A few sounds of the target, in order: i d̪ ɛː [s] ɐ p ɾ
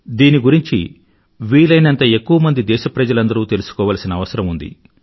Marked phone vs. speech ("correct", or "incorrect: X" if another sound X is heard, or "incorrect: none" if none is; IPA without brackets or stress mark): incorrect: ʃ